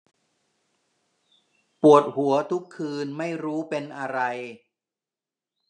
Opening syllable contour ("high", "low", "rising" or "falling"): low